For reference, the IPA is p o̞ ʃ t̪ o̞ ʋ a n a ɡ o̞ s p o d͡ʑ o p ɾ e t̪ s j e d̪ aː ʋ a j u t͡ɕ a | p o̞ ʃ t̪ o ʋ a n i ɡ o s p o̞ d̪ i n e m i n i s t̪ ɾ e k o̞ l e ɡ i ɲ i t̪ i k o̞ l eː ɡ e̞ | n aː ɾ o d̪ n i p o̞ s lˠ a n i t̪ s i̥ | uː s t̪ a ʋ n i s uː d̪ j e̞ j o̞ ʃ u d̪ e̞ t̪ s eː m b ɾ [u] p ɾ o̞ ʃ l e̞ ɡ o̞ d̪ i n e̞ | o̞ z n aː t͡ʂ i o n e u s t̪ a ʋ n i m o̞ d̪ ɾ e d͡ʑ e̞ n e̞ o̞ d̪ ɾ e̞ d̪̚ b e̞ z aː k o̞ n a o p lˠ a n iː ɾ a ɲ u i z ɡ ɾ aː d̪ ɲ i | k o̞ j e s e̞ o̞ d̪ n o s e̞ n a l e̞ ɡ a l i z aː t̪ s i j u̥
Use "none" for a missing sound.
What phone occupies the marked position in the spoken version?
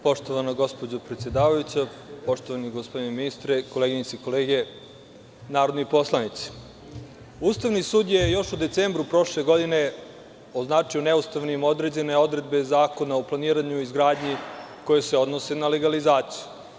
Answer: u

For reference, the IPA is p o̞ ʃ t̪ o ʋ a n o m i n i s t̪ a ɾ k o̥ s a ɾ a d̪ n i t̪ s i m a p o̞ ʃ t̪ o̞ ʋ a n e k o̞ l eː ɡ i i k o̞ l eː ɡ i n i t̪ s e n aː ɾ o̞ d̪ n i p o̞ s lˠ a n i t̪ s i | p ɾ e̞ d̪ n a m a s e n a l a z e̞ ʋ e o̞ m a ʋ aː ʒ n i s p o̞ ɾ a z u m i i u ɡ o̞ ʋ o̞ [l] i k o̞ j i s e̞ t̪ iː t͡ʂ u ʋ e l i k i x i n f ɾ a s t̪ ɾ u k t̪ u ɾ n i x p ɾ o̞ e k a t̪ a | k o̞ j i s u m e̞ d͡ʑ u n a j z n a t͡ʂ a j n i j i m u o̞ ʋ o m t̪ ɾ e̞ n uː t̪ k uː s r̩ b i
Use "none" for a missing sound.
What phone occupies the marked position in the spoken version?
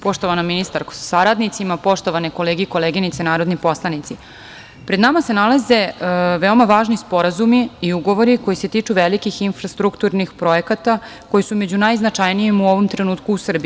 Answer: ɾ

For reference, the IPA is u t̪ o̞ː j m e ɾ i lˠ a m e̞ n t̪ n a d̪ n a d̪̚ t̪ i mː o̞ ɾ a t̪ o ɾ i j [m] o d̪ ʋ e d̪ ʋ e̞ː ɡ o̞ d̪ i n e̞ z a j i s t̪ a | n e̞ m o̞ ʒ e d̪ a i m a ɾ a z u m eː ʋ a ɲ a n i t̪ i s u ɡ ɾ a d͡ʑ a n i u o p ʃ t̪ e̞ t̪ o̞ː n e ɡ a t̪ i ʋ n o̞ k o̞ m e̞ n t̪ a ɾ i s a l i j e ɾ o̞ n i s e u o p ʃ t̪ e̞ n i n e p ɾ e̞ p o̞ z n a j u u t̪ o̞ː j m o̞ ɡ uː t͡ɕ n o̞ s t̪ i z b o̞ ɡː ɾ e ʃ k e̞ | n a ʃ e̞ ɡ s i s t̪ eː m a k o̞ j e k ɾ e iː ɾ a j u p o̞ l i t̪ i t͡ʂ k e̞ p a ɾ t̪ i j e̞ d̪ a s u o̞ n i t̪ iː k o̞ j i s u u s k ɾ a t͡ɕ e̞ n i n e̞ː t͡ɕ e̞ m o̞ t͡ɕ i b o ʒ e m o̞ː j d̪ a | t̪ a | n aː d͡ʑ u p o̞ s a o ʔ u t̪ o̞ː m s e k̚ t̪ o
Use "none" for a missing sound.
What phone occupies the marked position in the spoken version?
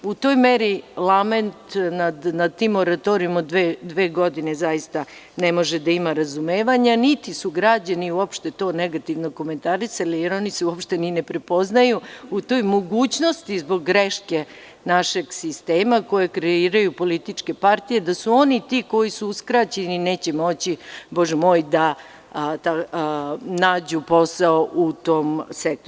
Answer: m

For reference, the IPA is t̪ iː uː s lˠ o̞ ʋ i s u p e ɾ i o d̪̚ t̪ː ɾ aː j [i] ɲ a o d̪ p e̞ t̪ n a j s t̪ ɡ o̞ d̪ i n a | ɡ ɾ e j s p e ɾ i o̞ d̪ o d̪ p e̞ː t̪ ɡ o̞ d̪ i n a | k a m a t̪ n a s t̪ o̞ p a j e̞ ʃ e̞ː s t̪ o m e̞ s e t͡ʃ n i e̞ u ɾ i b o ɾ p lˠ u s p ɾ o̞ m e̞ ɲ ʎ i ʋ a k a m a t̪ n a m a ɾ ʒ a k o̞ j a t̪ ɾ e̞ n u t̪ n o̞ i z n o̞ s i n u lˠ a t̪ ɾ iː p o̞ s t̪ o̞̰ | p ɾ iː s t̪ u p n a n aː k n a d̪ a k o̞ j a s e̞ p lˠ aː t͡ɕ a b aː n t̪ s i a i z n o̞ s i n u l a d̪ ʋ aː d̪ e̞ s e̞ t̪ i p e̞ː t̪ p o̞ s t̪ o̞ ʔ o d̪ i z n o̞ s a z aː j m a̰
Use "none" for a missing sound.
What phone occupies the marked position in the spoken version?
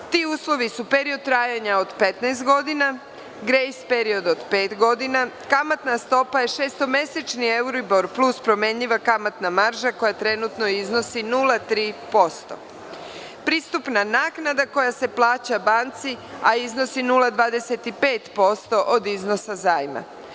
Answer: a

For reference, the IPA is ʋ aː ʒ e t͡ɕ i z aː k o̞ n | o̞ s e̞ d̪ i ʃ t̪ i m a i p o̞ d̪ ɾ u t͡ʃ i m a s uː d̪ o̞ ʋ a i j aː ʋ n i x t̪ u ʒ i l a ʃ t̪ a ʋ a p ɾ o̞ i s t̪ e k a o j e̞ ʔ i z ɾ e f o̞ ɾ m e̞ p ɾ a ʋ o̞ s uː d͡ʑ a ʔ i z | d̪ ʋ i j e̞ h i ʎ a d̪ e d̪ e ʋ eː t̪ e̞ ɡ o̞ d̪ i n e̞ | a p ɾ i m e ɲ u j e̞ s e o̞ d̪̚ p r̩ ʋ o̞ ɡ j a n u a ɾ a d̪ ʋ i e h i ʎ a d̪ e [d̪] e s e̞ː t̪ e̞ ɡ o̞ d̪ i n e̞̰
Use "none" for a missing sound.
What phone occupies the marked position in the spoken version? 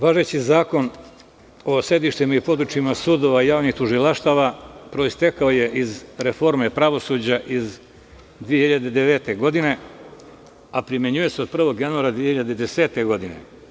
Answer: d̪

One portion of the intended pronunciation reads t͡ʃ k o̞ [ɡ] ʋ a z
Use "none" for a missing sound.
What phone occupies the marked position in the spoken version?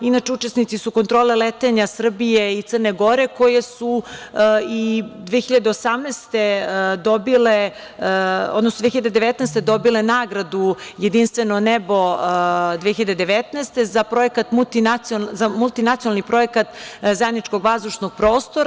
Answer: ɡ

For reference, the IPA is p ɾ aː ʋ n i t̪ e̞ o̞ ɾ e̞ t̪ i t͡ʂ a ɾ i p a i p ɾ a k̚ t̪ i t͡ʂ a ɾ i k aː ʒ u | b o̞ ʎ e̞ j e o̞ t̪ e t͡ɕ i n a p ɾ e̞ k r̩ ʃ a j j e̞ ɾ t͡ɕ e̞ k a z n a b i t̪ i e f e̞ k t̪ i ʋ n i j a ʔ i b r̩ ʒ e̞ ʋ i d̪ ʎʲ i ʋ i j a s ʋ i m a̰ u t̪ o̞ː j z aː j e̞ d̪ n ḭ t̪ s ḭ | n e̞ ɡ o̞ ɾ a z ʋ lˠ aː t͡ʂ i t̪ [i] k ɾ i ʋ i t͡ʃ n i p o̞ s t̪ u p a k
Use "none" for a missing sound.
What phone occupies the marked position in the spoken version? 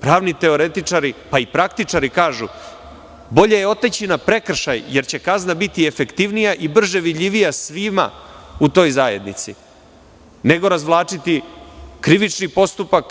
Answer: i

